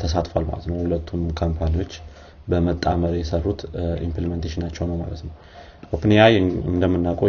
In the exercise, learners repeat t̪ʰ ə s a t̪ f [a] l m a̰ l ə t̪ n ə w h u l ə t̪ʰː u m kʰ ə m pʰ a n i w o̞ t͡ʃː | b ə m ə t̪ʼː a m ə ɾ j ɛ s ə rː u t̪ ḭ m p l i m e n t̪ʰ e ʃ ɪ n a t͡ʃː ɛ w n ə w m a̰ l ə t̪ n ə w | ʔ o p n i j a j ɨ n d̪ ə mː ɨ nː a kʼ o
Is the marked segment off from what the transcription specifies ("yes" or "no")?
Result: no